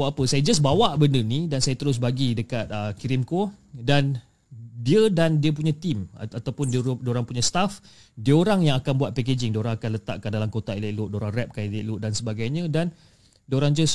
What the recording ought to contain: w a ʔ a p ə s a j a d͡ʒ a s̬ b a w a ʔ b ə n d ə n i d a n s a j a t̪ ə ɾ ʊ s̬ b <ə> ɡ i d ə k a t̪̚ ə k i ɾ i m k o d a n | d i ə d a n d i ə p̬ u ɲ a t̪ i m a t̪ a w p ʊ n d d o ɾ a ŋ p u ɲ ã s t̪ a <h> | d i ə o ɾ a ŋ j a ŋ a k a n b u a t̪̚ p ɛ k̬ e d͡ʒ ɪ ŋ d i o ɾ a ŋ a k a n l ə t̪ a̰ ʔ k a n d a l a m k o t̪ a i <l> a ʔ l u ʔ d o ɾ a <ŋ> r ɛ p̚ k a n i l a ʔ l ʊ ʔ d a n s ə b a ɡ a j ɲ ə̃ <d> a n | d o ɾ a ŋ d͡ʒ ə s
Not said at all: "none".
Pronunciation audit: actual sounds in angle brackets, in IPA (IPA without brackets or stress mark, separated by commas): a, f, l, ŋ, d